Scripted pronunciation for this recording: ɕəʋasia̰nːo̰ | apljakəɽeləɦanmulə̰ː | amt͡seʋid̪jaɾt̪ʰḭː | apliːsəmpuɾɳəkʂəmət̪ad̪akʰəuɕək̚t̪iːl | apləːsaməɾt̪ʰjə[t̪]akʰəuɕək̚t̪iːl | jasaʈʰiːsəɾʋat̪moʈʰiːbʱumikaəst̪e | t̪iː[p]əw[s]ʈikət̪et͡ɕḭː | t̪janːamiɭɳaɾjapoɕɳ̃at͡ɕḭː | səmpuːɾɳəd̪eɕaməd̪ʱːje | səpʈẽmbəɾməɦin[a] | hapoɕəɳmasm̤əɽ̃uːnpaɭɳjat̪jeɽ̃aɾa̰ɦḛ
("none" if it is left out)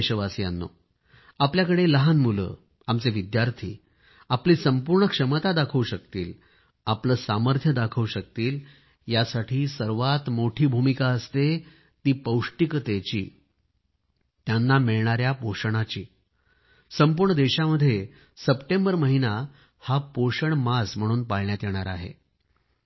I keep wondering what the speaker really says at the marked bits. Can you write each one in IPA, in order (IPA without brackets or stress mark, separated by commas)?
d̪, p, ʂ, a